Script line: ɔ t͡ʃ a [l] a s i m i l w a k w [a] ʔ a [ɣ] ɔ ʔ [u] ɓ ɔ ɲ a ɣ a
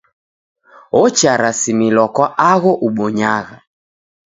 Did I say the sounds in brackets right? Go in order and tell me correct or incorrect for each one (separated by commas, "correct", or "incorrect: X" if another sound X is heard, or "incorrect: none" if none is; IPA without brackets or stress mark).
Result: incorrect: ɾ, correct, correct, correct